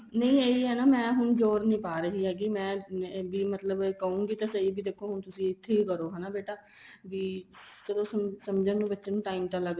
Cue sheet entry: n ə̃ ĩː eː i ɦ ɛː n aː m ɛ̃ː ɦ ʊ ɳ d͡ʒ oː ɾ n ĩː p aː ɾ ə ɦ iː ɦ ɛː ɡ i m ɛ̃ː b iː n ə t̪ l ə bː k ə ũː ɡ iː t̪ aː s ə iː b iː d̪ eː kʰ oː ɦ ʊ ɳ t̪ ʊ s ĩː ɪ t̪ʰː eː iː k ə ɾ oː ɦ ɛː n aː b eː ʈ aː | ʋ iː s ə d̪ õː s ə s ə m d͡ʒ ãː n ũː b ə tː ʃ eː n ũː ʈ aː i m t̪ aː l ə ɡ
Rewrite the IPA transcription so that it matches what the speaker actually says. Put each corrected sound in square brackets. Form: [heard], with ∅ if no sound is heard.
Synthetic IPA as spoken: n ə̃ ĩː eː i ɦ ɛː n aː m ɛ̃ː ɦ ʊ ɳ d͡ʒ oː ɾ n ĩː p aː ɾ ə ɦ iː ɦ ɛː ɡ i m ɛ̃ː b iː [m] ə t̪ l ə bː k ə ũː ɡ iː t̪ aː s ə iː b iː d̪ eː kʰ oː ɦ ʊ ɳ t̪ ʊ s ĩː ɪ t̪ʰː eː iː k ə ɾ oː ɦ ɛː n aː b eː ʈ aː | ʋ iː s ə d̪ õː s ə s ə m d͡ʒ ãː n ũː b ə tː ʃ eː n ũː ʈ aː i m t̪ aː l ə ɡ